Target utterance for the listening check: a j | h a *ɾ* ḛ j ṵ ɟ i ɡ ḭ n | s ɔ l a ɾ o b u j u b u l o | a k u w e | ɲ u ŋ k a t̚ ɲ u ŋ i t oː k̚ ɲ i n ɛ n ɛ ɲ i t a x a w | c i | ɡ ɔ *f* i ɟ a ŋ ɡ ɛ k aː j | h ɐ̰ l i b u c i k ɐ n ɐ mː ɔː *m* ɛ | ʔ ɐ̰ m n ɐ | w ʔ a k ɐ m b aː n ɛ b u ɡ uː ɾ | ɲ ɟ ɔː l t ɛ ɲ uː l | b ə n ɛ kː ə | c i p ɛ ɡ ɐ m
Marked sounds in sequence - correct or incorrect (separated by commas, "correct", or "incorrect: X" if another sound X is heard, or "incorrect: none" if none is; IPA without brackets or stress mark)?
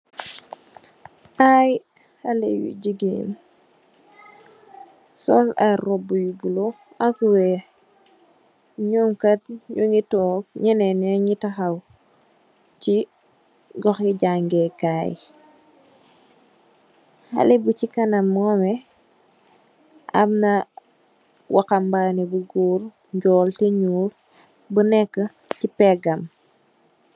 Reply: incorrect: l, incorrect: x, correct